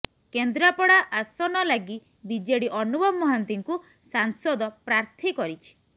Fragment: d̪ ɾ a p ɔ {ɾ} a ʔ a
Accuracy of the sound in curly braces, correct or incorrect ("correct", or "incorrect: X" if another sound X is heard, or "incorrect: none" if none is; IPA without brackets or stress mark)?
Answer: incorrect: ɽ